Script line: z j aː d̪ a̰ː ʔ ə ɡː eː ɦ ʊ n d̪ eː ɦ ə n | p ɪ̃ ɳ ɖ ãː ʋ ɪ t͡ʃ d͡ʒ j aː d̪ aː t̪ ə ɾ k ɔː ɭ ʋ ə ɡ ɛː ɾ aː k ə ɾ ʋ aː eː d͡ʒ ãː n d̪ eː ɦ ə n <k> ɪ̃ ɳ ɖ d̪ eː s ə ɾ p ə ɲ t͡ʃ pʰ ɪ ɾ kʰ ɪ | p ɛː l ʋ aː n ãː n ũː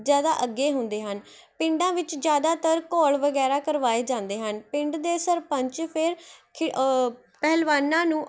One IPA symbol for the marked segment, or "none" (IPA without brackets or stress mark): p